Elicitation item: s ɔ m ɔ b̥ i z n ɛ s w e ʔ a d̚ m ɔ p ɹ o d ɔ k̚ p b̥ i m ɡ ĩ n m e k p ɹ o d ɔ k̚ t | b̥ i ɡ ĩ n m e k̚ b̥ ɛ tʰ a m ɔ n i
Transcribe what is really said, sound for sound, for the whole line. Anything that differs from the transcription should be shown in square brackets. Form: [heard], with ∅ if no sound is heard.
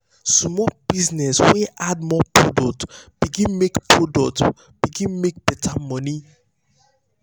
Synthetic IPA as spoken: s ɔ m ɔ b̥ i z n ɛ s w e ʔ a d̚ m ɔ p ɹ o d ɔ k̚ [t] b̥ i [∅] ɡ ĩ n m e k p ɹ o d ɔ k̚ t | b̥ i ɡ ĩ n m e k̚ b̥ ɛ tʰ a m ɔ n i

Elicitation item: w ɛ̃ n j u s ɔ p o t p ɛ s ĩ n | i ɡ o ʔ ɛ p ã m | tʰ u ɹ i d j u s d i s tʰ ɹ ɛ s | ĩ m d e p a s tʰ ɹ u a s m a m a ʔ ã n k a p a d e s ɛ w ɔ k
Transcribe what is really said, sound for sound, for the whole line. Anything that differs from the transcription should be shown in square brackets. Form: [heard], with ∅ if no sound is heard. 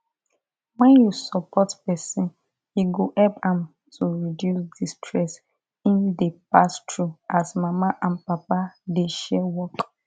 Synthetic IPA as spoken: w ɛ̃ n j u s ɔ p [ɔ] t p ɛ s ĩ n | i ɡ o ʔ ɛ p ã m | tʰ u ɹ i d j u s d i s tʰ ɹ ɛ s | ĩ [n] d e p a s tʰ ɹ u a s m a m a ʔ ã n [p] a p a d e [ʃ] ɛ w ɔ k

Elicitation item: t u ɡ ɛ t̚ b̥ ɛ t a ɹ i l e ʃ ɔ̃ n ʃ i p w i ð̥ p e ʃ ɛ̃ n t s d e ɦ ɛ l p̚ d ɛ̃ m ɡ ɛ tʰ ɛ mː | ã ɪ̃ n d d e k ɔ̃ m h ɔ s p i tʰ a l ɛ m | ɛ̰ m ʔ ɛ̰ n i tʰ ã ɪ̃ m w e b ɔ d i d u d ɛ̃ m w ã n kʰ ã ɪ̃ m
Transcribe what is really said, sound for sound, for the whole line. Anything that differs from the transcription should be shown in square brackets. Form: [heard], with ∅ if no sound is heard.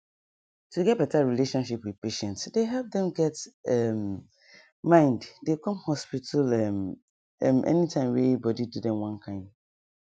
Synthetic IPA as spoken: t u ɡ ɛ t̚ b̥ ɛ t a ɹ i l e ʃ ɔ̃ n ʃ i p w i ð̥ p e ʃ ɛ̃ n t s d e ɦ ɛ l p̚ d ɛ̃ m ɡ ɛ [t] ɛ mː | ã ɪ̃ n d d e k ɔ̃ m h ɔ s p i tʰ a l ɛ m | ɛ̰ m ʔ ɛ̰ n i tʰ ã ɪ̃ m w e b ɔ d i d u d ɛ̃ m w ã n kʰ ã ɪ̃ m

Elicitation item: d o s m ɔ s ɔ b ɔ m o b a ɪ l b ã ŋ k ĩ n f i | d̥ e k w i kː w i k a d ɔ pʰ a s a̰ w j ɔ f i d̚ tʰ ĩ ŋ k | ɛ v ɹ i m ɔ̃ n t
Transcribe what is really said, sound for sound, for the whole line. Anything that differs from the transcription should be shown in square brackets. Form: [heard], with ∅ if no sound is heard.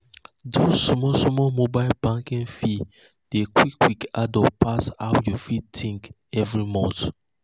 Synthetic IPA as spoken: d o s m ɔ s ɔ [m] ɔ m o b a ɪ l b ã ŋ k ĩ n f i | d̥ e k w i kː w i k a d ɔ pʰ a s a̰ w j [u] f i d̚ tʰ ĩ ŋ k | ɛ v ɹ i m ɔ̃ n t

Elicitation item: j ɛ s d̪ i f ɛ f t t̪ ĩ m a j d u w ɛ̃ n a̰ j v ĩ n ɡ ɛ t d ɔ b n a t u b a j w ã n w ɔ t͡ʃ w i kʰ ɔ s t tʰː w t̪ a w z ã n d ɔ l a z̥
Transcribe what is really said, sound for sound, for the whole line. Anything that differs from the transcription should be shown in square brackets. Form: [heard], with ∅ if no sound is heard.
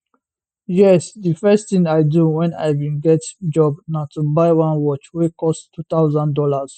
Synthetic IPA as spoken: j ɛ s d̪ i f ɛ [s] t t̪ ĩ [ŋ] a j d u w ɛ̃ n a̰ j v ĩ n ɡ ɛ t [d͡ʒ] ɔ b n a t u b a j w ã n w ɔ t͡ʃ w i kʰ ɔ s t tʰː [u] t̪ a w z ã n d ɔ l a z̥

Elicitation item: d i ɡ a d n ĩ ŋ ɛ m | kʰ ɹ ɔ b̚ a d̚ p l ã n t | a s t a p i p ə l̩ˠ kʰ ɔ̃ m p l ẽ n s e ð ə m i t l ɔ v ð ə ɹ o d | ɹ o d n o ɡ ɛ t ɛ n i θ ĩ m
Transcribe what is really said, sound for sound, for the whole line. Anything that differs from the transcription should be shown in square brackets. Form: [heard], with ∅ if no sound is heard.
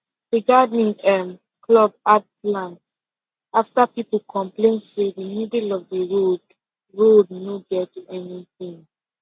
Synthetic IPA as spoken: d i ɡ a d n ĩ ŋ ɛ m | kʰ [l] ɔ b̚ a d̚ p l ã n t | a [f] t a p i p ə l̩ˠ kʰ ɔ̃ m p l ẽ n s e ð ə m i [d] l ɔ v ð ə ɹ o d | ɹ o d n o ɡ ɛ t ɛ n i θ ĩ [ŋ]

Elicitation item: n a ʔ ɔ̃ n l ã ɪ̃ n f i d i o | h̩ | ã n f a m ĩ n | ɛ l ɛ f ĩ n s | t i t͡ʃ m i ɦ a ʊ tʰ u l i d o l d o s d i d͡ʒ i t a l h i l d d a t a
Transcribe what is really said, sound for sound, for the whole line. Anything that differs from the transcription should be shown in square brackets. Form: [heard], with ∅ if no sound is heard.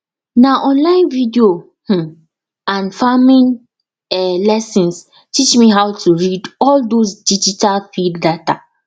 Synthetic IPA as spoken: n a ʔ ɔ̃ n l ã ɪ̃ n [v] i d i o | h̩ | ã n f a m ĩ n | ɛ l ɛ [s] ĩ n s | t i t͡ʃ m i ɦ a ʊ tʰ u [ɹ] i d [ɔ] l d o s d i d͡ʒ i t a l [f] i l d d a t a

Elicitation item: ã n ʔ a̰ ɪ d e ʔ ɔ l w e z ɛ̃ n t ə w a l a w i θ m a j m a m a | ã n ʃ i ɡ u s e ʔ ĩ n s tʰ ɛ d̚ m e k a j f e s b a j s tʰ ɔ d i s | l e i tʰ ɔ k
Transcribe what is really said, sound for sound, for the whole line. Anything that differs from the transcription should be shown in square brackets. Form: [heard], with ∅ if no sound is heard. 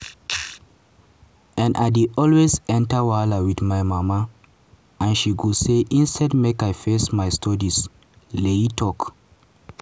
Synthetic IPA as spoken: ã n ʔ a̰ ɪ d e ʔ ɔ l w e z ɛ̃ n t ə w a l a w i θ m a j m a m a | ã n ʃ i ɡ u s e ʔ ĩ n s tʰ ɛ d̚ m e k a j f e s [m] a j s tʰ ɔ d i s | l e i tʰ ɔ k

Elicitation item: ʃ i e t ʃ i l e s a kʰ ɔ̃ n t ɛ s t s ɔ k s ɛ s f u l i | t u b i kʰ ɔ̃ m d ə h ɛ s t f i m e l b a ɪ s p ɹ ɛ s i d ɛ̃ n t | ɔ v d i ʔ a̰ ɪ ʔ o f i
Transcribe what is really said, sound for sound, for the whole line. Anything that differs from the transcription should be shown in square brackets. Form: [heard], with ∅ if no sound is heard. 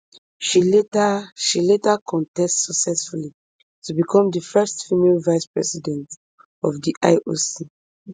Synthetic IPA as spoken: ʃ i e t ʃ i l e [t] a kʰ ɔ̃ n t ɛ s t s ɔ k s ɛ s f u l i | t u b i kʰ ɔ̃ m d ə [f] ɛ s t f i m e l [v] a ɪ s p ɹ ɛ s i d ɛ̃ n t | ɔ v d i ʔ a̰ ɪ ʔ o [s] i

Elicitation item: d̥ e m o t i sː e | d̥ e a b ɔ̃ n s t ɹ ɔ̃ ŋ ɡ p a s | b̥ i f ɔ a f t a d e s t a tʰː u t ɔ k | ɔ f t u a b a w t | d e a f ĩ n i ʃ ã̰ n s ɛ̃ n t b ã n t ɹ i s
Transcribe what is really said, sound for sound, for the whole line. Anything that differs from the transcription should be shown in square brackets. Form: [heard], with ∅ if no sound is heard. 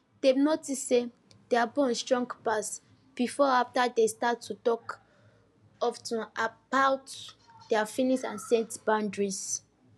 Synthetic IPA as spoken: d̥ e [n] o t i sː e | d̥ e a b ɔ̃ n s t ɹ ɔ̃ ŋ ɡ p a s | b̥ i f ɔ a f t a d e s t a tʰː u t ɔ k | ɔ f t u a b a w t | d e a f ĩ n i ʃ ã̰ n s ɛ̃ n t b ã n [d] ɹ i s

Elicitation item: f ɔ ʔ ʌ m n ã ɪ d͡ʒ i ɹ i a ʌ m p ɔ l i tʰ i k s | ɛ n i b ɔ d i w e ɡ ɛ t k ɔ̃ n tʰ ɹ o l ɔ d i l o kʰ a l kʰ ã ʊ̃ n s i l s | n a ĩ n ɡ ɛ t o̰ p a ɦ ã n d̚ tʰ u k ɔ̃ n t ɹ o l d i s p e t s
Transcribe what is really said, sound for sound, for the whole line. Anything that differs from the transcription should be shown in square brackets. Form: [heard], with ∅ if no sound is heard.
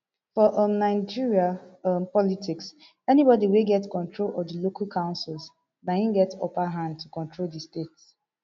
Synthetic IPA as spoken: f ɔ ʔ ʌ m n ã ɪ d͡ʒ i ɹ i a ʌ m p ɔ l i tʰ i k s | ɛ n i b ɔ d i w e ɡ ɛ t k ɔ̃ n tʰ ɹ o l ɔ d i l o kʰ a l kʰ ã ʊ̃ n s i l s | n a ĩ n ɡ ɛ t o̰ p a ɦ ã n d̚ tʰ u k ɔ̃ n t ɹ o l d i s [t] e t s

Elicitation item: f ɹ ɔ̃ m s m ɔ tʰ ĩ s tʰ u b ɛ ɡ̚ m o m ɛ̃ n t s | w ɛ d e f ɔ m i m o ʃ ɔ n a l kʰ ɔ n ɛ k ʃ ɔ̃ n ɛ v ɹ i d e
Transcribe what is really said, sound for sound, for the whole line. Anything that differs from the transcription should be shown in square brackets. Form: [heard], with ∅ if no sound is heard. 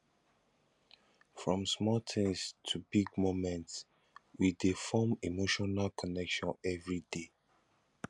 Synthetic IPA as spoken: f ɹ ɔ̃ m s m ɔ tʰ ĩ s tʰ u b [i] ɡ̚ m o m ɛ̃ n t s | w [i] d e f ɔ m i m o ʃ ɔ n a l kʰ ɔ n ɛ k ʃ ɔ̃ n ɛ v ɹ i d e

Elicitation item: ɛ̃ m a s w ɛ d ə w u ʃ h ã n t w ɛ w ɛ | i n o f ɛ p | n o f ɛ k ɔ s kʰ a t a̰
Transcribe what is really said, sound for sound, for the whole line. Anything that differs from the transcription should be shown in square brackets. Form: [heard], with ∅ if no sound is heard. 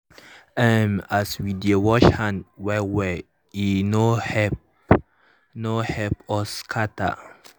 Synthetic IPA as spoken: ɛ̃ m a s w [i] d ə w [ɔ] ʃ h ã n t w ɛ w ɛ | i n o [h] ɛ p | n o [h] ɛ [p] ɔ s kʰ a t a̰

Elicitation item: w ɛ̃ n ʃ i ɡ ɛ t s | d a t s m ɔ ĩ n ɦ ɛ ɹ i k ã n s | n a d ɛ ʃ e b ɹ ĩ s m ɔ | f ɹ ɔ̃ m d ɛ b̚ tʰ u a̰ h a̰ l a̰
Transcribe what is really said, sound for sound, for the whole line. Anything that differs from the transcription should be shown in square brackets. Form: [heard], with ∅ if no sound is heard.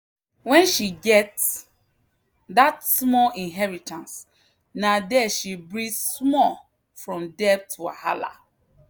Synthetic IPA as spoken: w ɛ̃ n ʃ i ɡ ɛ t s | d a t s m ɔ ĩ n ɦ ɛ ɹ i [t] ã n s | n a d ɛ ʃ [i] b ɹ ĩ s m ɔ | f ɹ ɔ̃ m d ɛ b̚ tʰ u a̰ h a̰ l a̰

